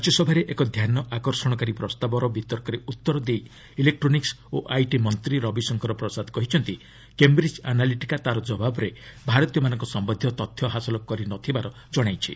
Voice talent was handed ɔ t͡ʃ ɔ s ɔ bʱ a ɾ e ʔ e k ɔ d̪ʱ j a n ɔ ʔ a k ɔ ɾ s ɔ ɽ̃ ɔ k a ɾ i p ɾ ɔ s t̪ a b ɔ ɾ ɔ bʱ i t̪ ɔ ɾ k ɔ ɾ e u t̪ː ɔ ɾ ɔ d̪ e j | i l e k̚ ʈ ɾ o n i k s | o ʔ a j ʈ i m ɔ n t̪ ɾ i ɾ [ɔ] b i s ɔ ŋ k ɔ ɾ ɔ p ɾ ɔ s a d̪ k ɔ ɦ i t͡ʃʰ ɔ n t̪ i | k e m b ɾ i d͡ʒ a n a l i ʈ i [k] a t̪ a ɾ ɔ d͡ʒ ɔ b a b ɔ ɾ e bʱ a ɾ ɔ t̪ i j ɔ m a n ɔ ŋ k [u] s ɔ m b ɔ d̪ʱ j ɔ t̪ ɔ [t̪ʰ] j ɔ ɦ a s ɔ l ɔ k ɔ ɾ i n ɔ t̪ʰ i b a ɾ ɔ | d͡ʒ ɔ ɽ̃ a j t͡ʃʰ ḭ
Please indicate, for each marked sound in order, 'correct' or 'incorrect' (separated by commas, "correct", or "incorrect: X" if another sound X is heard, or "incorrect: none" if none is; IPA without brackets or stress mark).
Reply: correct, correct, incorrect: ɔ, correct